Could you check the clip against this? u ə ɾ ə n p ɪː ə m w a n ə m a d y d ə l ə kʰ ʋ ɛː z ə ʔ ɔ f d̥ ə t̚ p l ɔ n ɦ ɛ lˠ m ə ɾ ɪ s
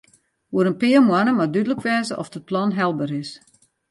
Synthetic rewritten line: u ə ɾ ə n p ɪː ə m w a n ə m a d y d ə l ə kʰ ʋ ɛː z ə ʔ ɔ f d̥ ə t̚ p l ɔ n ɦ ɛ lˠ b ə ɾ ɪ s